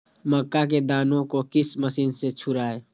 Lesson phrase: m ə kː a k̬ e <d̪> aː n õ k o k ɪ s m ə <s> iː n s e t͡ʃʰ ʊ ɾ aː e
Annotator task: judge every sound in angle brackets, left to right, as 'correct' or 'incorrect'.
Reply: correct, correct

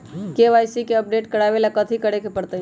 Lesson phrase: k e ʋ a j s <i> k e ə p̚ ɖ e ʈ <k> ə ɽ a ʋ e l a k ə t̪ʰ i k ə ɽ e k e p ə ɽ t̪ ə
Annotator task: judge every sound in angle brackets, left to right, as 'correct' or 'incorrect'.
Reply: correct, correct

